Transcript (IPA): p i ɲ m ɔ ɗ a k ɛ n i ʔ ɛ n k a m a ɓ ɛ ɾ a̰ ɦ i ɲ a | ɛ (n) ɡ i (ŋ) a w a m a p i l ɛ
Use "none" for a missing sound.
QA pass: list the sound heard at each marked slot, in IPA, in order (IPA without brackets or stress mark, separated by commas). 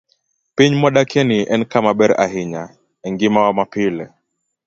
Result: ŋ, m